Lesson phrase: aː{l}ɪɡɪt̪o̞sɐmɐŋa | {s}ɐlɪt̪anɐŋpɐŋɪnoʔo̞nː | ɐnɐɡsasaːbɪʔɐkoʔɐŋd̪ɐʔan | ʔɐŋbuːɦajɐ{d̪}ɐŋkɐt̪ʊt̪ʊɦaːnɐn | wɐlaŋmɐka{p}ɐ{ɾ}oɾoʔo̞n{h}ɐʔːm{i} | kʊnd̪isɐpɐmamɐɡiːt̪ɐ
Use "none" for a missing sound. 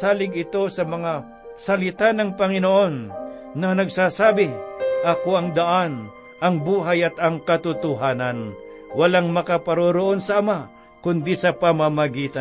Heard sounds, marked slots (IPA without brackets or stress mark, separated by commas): l, s, t̪, p, ɾ, s, a